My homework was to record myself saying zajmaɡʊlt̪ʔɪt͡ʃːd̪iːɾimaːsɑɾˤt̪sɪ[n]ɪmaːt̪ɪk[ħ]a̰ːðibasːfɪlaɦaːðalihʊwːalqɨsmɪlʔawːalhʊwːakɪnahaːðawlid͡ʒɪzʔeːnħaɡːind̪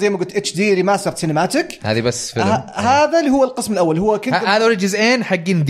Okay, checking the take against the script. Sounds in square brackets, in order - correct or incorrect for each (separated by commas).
correct, incorrect